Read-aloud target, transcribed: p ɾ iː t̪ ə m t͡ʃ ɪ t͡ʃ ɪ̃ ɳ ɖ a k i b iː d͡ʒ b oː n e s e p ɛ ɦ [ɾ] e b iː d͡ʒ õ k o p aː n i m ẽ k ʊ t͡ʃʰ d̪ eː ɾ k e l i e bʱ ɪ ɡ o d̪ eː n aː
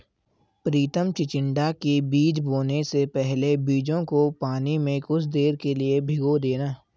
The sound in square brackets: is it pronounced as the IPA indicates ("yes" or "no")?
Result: no